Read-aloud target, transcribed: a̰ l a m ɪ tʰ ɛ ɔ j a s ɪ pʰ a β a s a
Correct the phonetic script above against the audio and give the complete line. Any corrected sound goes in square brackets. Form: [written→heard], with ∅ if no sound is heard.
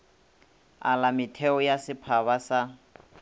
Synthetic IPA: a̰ l a m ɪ tʰ ɛ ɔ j a s ɪ pʰ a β a s a